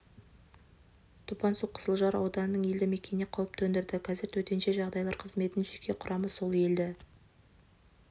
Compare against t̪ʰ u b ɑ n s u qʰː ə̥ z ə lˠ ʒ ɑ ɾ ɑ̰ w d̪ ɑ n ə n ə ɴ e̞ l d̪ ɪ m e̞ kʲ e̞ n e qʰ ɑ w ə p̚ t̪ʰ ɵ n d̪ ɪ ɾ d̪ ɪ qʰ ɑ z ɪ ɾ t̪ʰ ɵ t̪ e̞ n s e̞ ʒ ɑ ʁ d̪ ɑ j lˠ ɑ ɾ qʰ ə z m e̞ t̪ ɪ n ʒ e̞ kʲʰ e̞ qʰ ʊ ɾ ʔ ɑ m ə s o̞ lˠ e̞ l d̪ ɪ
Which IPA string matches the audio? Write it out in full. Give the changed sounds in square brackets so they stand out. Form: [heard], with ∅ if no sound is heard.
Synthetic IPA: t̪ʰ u [p] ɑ n s u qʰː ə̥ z ə lˠ ʒ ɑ ɾ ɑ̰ w d̪ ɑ n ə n ə ɴ e̞ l d̪ ɪ m e̞ kʲ e̞ n e qʰ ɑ w ə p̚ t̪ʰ ɵ n d̪ ɪ ɾ d̪ ɪ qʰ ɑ z ɪ ɾ t̪ʰ ɵ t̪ e̞ n [ʃ] e̞ ʒ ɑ ʁ d̪ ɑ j lˠ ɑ ɾ qʰ ə z m e̞ t̪ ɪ n ʒ e̞ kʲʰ e̞ qʰ ʊ ɾ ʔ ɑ m ə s o̞ lˠ e̞ l d̪ ɪ